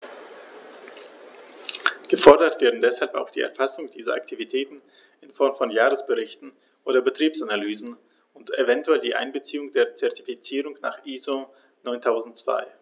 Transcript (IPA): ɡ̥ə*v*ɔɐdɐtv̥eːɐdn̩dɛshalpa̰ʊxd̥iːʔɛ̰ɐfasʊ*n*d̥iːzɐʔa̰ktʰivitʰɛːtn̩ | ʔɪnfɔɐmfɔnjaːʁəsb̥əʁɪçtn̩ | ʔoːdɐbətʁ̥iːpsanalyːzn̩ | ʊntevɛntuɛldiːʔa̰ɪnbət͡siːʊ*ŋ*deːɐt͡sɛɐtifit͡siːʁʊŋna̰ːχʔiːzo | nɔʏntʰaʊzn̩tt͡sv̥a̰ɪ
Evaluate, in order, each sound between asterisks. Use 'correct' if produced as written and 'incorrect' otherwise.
incorrect: f, incorrect: ŋ, correct

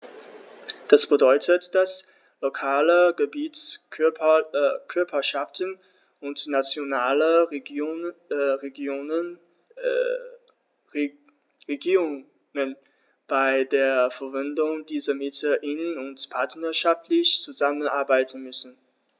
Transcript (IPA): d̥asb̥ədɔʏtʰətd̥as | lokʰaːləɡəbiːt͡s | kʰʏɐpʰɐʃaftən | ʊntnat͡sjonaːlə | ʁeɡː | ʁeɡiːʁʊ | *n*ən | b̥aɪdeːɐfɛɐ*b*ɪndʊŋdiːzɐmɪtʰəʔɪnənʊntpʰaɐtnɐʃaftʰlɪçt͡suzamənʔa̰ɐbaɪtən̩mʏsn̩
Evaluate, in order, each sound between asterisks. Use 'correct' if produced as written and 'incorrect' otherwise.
incorrect: ŋ, incorrect: v

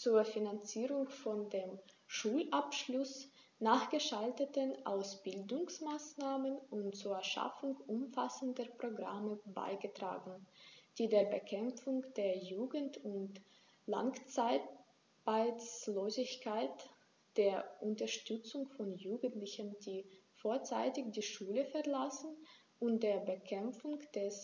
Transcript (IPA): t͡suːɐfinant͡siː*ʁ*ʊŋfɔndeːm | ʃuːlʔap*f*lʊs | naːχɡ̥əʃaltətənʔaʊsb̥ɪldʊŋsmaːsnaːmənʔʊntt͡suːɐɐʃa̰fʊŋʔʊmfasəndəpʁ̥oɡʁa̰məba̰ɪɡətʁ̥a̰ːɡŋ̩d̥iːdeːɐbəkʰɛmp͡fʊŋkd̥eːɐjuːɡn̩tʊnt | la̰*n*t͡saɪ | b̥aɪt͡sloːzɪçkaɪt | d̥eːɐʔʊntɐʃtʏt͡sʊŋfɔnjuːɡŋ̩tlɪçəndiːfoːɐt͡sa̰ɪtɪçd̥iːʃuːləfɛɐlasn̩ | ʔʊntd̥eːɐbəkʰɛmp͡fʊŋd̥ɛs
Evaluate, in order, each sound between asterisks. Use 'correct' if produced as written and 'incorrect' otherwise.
correct, incorrect: ʃ, incorrect: ŋ

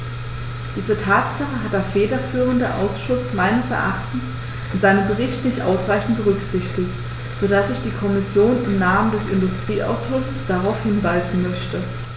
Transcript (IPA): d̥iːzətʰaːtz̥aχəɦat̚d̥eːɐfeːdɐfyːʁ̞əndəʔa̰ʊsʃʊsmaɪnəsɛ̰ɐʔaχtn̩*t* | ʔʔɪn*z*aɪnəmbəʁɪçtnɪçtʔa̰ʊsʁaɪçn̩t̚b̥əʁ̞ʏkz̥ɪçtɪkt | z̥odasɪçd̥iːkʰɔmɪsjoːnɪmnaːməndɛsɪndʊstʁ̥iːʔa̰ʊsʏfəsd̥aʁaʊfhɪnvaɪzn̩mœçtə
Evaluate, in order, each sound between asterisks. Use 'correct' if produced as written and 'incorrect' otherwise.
incorrect: s, correct

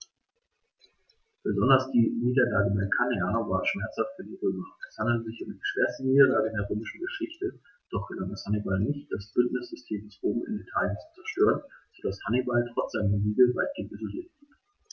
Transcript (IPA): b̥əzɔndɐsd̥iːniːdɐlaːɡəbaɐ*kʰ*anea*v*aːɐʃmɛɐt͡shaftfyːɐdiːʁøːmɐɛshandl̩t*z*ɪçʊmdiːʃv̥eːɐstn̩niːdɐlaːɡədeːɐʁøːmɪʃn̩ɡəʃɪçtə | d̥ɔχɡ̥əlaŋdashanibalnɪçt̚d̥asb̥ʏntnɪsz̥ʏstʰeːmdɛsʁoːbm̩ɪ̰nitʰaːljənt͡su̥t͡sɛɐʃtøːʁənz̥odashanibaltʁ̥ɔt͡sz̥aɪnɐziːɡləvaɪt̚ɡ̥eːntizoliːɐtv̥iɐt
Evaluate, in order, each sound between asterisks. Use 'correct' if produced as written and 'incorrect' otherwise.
correct, correct, correct

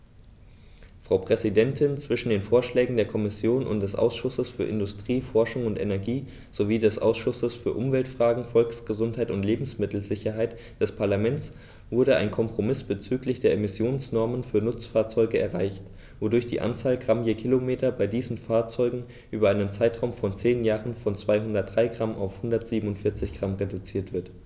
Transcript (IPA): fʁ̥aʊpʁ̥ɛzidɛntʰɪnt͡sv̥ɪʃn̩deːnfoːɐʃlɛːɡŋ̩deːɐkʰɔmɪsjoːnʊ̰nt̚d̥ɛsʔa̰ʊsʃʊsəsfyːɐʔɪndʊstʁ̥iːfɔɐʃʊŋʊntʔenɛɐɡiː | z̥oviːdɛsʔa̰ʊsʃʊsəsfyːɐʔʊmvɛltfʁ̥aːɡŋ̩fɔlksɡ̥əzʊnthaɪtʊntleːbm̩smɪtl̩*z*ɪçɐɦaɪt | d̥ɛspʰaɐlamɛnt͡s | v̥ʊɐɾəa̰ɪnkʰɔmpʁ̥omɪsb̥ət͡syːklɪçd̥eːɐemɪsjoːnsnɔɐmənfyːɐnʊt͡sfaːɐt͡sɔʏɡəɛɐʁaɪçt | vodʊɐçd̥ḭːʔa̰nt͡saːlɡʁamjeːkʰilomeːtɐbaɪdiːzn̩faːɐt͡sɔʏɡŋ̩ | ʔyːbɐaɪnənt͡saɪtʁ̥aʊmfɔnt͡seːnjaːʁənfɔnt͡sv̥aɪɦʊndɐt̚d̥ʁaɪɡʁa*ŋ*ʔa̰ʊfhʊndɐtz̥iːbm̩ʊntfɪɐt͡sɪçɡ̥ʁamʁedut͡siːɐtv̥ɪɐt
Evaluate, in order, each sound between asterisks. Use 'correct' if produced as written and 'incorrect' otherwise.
correct, incorrect: m

